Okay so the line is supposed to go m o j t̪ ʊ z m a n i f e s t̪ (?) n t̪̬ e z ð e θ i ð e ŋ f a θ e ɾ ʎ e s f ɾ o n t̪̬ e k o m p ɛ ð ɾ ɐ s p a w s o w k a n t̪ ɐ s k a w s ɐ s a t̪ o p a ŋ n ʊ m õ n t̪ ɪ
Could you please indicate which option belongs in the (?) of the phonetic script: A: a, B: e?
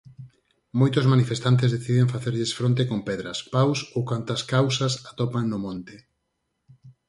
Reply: A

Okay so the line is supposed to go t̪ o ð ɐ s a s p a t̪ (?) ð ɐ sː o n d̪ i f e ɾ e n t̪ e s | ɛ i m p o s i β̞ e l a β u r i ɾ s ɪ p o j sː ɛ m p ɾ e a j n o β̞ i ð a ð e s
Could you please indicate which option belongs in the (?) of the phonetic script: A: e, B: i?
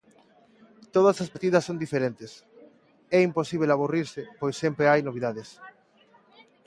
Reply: B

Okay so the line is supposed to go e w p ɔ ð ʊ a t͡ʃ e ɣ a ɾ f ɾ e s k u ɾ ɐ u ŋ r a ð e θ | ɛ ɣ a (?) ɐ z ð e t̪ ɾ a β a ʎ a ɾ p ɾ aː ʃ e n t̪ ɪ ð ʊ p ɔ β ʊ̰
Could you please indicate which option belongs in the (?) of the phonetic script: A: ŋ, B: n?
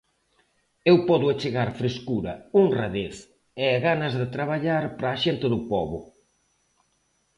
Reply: B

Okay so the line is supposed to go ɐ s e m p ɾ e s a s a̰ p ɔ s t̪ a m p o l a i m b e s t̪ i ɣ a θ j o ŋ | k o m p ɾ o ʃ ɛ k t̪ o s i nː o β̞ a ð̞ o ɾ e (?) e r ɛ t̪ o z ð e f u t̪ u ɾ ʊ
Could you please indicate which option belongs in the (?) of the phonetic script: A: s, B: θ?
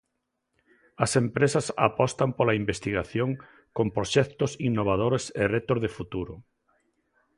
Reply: A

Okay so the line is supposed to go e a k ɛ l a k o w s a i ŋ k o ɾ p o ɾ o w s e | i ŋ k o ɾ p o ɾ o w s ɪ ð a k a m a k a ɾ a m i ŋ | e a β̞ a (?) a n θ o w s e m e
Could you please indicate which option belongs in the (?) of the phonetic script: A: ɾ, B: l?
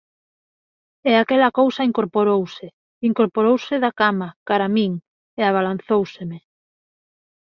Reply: B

